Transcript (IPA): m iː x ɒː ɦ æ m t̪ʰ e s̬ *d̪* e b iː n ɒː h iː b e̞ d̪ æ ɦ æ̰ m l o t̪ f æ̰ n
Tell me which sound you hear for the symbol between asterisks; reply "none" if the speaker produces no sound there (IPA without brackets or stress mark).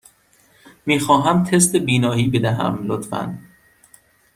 t̪